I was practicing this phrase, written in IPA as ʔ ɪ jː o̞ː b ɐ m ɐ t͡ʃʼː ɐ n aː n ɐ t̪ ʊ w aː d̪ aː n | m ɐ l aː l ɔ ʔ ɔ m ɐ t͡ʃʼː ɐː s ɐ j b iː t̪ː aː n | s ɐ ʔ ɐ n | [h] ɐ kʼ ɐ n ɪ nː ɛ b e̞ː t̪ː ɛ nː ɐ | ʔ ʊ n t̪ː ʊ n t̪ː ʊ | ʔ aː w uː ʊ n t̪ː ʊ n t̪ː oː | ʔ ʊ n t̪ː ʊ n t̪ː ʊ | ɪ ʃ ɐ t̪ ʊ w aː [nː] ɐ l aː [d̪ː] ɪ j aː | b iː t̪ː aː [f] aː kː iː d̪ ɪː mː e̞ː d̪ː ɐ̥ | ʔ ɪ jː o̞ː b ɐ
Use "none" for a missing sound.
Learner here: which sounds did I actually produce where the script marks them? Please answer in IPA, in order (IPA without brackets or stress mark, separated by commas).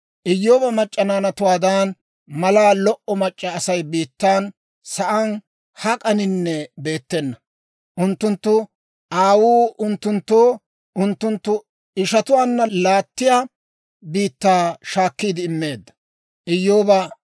h, nː, t̪ː, ʃ